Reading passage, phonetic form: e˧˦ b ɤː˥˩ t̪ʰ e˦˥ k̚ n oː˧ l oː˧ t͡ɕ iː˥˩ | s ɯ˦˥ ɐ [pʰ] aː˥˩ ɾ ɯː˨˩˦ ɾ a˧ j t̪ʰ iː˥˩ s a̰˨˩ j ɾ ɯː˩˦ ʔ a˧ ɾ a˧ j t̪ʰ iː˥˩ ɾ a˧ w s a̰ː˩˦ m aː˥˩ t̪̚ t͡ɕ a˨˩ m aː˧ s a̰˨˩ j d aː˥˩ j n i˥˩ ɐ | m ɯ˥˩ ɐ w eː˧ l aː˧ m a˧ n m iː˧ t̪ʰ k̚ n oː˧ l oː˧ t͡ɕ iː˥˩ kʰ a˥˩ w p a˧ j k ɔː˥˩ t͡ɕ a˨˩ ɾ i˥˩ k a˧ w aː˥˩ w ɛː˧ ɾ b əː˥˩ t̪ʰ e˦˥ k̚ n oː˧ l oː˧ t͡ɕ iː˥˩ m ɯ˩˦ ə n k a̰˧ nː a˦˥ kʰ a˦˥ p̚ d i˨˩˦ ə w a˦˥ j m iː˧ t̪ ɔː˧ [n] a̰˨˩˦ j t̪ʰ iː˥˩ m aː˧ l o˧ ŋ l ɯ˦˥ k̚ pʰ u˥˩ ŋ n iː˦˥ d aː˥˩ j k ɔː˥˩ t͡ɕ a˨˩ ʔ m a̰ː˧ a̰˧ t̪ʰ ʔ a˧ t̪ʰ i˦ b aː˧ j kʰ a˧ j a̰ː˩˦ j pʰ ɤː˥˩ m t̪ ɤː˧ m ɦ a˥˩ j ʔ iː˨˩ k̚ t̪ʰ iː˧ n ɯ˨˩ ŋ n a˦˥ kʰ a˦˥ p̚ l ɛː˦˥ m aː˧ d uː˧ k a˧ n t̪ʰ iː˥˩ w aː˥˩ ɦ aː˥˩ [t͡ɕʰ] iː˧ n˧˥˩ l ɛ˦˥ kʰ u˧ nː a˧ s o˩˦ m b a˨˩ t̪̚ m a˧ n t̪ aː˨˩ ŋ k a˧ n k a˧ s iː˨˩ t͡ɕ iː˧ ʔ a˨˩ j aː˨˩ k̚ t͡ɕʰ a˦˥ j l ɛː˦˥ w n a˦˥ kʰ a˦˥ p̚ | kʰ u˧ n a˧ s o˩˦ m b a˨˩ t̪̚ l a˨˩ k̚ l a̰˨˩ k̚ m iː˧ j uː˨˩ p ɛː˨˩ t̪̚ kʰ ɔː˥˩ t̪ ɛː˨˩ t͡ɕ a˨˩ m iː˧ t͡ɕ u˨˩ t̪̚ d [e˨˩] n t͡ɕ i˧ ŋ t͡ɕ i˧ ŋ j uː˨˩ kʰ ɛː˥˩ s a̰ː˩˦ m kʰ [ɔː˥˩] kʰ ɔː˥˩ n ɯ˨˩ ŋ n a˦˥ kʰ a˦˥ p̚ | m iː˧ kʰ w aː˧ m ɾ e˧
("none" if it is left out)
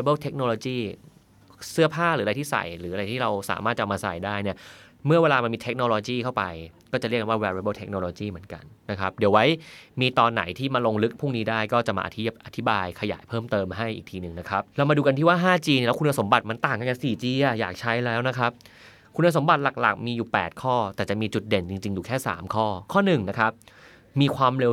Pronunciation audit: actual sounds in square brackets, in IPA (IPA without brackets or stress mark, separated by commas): pʰ, nː, t͡ɕ, e˨˩, ɔː˥˩